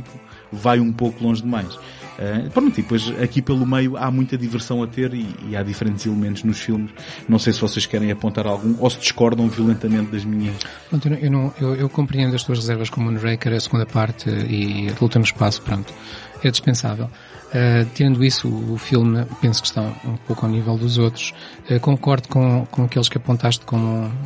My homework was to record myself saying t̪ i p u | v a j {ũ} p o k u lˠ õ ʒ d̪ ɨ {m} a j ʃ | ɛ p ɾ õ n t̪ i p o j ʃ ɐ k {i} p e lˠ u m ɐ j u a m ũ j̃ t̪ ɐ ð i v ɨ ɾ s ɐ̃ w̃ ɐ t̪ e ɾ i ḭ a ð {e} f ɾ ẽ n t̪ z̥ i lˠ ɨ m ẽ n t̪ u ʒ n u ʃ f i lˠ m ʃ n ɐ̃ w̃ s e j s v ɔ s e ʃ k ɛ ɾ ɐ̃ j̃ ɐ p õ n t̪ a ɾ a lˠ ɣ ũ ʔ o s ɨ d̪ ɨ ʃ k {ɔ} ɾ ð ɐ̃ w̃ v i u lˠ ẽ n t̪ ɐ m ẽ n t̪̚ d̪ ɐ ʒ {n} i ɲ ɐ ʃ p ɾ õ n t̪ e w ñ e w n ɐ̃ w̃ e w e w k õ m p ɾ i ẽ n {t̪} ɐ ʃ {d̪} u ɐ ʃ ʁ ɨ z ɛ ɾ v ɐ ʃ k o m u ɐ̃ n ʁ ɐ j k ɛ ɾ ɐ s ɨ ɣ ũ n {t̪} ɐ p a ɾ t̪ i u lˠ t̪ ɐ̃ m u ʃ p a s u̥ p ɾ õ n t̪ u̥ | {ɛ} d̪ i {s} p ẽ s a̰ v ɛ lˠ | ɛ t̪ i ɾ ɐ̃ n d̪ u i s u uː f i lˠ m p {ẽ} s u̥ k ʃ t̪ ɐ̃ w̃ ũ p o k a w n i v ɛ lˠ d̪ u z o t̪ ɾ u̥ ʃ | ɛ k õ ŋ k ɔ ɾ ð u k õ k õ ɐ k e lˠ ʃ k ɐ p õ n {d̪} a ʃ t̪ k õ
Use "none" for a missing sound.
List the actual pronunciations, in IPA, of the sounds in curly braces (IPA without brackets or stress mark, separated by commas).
ũ, m, i, i, ɔ, m, d̪, t̪, d̪, ɛ, ʃ, ẽ, t̪